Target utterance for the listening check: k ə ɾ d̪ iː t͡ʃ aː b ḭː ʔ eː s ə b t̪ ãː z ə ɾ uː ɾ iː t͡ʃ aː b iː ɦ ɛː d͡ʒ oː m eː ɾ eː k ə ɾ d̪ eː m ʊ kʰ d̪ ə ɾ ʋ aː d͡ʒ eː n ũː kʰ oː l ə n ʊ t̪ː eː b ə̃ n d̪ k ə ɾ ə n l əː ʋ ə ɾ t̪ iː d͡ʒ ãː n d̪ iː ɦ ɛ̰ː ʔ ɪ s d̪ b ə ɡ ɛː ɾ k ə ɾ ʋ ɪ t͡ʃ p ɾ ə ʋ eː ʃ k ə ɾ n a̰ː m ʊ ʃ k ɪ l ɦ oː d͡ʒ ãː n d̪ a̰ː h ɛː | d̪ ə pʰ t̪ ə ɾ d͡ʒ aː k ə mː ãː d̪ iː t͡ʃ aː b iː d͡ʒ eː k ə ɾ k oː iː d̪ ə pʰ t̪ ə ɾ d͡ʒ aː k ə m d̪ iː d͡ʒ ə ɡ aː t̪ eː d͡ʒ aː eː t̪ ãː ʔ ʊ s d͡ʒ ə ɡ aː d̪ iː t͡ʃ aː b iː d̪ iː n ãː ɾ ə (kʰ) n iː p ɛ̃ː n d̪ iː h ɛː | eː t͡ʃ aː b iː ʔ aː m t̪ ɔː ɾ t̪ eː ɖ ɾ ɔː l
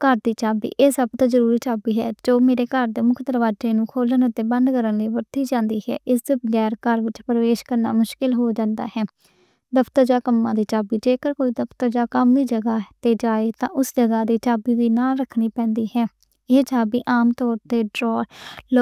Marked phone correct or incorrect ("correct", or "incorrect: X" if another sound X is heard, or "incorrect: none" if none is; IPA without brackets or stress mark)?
correct